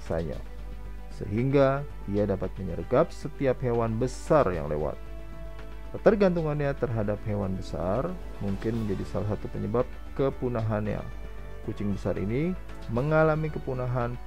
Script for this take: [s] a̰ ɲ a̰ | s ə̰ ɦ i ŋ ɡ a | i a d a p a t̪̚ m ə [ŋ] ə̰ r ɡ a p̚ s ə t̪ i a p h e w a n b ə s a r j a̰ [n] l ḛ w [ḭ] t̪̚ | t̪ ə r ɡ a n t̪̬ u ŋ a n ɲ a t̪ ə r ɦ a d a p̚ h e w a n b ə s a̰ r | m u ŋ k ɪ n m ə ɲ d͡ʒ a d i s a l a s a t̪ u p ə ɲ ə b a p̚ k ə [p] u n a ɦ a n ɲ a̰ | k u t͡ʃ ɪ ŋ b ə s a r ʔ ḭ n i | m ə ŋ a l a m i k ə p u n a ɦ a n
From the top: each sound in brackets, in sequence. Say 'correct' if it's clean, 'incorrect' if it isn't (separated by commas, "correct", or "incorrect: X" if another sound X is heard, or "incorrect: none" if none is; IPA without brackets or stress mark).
correct, incorrect: ɲ, incorrect: ŋ, incorrect: a̰, correct